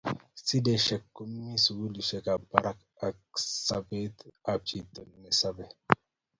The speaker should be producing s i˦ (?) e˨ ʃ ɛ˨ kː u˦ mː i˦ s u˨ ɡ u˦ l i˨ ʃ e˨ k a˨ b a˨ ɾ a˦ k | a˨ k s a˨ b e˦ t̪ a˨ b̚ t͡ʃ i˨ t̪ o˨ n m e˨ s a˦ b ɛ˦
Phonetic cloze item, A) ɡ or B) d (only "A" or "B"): B